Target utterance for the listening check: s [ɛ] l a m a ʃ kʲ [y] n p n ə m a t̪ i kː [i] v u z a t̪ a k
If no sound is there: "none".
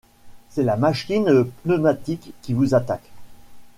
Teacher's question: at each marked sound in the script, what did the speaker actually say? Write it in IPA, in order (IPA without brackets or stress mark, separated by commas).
ɛ, i, i